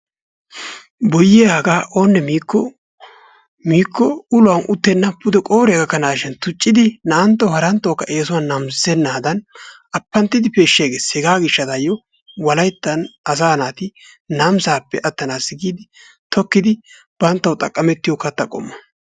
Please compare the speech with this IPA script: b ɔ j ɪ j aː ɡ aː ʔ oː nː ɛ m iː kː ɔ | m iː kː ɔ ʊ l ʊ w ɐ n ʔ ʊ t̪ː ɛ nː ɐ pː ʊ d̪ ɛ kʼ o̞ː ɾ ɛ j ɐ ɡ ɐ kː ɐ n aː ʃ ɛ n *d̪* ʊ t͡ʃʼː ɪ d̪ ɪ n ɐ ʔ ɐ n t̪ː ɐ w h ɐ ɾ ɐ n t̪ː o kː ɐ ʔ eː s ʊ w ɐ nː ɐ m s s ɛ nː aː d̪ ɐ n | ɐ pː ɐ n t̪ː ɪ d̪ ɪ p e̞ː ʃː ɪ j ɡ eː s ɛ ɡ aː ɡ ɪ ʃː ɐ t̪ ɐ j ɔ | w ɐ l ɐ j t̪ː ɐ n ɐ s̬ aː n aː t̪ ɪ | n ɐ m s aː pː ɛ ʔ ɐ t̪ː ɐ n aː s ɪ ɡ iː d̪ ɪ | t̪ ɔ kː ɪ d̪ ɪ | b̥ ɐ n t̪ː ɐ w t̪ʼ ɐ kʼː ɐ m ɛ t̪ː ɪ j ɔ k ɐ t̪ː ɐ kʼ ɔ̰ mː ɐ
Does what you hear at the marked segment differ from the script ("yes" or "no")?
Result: yes